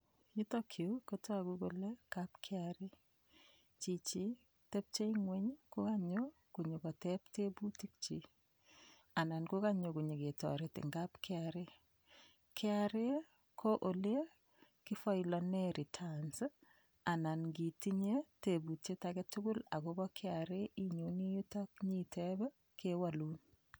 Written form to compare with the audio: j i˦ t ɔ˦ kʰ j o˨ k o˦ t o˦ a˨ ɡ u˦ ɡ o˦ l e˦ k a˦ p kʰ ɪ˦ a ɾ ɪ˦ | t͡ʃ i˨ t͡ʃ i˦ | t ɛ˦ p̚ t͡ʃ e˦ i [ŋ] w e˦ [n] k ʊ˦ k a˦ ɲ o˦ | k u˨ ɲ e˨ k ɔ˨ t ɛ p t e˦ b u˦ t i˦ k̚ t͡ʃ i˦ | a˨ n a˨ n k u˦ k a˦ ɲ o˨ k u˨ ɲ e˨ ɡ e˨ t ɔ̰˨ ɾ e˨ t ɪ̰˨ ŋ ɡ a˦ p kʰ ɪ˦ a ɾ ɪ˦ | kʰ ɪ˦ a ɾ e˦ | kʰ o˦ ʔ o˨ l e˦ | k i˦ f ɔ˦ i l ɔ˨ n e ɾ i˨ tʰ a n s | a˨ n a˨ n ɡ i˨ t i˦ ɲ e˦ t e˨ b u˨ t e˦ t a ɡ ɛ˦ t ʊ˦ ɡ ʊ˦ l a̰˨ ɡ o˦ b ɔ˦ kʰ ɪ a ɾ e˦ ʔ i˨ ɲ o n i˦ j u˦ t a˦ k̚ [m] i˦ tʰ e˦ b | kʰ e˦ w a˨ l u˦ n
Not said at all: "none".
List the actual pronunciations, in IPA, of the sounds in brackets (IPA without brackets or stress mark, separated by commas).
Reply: ŋ, ɲ, ɲ